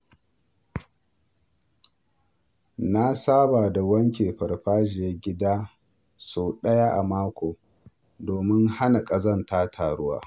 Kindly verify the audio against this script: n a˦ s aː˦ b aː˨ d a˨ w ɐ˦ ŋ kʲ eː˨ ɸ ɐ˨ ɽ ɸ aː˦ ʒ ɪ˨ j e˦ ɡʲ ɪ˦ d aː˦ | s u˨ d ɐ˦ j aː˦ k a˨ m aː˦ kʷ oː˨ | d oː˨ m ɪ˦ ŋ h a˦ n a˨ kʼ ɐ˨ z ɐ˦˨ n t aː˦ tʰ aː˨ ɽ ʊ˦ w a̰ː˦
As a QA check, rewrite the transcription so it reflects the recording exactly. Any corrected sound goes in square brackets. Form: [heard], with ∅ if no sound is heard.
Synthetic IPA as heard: n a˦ s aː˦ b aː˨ d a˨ w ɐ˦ ŋ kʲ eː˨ ɸ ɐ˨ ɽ ɸ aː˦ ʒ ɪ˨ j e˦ ɡʲ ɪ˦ d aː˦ | s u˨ [ɗ] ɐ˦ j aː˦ [ʔ] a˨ m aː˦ kʷ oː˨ | d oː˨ m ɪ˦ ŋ h a˦ n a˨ kʼ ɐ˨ z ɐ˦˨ n t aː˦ tʰ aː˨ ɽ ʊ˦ w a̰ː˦